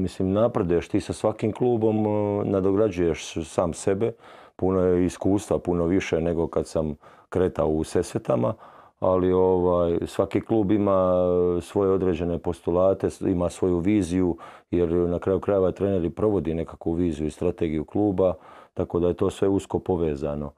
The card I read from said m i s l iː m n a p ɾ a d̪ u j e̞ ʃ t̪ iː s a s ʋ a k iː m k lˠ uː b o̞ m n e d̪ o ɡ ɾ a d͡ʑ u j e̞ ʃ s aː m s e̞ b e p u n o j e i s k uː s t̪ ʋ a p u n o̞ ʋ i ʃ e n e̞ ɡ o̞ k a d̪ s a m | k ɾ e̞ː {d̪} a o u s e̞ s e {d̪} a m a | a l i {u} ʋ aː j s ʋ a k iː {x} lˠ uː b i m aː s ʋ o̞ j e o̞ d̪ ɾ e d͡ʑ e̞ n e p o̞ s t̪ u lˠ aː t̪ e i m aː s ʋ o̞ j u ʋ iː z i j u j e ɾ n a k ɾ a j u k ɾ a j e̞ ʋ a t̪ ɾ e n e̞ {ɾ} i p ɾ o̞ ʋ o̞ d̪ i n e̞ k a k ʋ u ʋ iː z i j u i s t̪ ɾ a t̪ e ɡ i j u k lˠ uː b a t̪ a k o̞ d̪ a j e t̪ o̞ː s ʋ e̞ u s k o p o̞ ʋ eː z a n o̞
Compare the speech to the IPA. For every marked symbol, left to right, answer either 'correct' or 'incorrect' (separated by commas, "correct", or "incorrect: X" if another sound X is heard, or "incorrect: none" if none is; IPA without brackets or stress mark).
incorrect: t̪, incorrect: t̪, incorrect: o, incorrect: k, correct